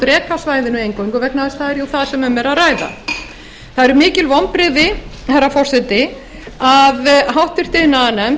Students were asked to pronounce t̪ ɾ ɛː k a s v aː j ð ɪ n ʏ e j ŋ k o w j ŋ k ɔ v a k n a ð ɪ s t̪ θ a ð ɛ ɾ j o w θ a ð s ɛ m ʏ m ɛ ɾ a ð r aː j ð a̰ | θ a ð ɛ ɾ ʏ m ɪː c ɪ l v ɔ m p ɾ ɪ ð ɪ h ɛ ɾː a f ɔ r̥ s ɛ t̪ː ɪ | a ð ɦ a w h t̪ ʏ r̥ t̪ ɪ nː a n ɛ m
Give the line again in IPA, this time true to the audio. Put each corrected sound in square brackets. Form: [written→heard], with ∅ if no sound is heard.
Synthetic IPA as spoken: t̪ ɾ ɛː k a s v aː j ð ɪ n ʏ e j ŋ k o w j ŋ k ɔ v [a→ɛ] k n a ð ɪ s t̪ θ a ð ɛ ɾ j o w θ a ð s ɛ m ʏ m ɛ ɾ a ð r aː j ð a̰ | θ a ð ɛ ɾ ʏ m ɪː c ɪ l v ɔ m p ɾ ɪ ð ɪ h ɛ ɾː a f ɔ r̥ s ɛ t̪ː ɪ | a ð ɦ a w h t̪ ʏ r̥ t̪ ɪ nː a n ɛ m